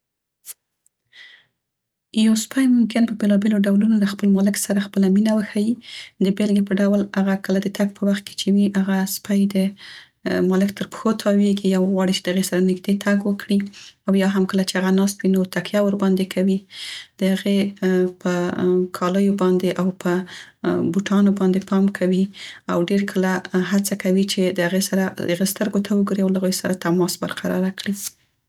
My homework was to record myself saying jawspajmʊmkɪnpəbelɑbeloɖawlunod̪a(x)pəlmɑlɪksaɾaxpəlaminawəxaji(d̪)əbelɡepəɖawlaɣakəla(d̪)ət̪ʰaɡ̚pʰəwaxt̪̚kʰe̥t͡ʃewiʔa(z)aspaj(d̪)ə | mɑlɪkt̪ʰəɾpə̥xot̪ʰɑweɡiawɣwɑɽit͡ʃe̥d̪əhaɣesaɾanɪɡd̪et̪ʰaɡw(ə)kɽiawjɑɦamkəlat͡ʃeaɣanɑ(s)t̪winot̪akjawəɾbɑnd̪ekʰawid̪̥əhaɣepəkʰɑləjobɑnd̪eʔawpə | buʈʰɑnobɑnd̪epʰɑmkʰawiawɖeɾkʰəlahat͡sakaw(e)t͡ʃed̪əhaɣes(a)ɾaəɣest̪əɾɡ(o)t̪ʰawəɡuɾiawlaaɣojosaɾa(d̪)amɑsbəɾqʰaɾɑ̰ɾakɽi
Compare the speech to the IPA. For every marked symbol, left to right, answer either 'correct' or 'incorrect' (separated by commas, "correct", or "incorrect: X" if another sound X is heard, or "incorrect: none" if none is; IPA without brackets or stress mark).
correct, correct, correct, incorrect: ɣ, correct, correct, correct, incorrect: i, correct, correct, incorrect: t̪